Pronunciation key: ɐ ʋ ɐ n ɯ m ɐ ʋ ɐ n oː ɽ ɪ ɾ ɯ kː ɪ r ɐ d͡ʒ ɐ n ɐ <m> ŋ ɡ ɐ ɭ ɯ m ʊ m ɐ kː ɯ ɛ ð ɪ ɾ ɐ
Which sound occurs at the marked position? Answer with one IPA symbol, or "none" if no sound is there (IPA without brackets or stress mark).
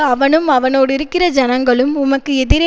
none